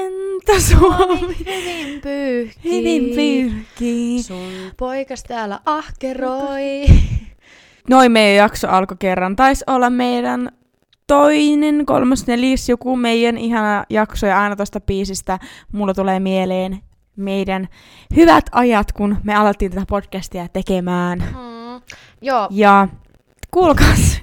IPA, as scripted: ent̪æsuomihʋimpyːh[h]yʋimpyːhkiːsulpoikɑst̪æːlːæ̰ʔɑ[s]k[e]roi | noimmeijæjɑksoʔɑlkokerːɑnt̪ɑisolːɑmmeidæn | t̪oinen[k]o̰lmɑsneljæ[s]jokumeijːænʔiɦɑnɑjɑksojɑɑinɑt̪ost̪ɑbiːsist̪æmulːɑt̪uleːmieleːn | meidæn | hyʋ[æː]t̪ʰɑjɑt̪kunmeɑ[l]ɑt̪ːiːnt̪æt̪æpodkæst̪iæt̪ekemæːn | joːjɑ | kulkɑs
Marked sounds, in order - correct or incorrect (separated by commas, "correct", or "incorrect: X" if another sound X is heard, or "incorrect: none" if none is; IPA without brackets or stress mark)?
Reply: correct, incorrect: h, correct, correct, correct, incorrect: æ, correct